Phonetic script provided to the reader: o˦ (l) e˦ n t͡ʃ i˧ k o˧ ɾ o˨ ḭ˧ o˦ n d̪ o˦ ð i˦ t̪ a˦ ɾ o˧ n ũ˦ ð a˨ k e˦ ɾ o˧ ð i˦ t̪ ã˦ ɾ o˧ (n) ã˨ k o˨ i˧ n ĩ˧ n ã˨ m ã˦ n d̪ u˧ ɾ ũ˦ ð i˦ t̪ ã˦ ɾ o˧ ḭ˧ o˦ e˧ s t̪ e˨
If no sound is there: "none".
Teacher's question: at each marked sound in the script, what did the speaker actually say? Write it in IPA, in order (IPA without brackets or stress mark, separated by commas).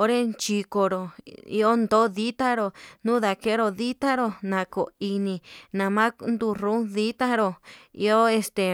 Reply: ɾ, n